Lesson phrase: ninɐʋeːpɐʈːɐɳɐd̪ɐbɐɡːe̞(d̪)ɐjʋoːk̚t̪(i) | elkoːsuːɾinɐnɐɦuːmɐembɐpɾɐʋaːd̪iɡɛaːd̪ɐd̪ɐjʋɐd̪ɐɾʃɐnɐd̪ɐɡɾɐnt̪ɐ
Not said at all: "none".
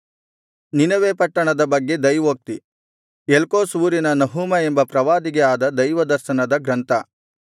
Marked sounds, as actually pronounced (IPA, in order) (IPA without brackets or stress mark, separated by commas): d̪, i